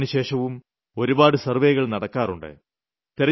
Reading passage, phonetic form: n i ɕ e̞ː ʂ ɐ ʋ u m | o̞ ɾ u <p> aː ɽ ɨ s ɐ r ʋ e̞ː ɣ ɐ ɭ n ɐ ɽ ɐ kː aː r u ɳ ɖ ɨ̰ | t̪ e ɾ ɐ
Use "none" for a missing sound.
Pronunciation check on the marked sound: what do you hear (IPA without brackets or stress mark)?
b